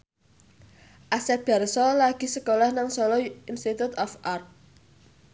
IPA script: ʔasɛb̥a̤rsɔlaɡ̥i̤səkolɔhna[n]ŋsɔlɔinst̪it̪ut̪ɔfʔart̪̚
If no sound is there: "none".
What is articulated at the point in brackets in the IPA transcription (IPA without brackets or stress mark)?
none